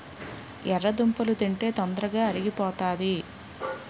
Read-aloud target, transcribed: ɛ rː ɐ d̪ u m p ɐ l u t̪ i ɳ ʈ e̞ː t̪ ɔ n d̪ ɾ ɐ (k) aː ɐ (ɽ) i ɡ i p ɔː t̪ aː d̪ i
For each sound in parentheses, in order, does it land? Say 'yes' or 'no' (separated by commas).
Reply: no, no